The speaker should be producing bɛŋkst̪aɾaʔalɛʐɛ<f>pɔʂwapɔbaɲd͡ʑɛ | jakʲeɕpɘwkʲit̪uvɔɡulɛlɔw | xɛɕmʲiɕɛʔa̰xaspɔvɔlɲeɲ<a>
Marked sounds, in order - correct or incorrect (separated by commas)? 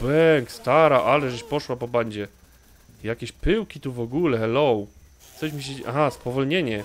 incorrect, incorrect